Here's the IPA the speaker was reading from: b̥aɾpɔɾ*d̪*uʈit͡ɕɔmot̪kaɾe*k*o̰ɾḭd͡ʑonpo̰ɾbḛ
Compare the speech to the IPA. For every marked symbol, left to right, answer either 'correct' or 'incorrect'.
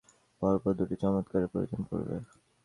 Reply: correct, incorrect: p

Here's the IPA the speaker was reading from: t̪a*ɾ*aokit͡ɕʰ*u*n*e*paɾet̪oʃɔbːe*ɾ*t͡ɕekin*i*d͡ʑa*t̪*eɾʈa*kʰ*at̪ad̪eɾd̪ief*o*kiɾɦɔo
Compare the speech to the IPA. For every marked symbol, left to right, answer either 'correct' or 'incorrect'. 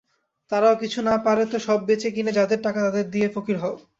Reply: correct, correct, incorrect: a, incorrect: none, incorrect: e, incorrect: d̪, incorrect: k, correct

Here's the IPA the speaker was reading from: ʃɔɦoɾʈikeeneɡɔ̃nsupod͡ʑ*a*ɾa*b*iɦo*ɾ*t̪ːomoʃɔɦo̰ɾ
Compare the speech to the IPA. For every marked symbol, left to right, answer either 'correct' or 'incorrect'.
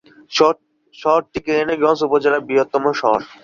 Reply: incorrect: e, correct, incorrect: none

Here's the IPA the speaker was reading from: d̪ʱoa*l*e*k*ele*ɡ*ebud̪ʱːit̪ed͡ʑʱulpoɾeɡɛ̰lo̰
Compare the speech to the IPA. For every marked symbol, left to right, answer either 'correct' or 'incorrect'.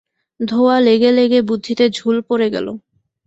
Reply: correct, incorrect: ɡ, correct

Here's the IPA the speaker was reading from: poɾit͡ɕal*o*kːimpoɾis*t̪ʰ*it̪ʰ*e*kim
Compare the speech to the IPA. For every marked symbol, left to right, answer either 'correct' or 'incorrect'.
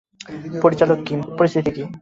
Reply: correct, correct, incorrect: i

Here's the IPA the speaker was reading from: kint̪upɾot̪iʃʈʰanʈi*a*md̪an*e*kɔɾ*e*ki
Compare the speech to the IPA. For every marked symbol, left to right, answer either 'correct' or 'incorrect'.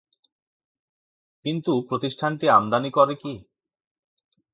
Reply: correct, incorrect: i, correct

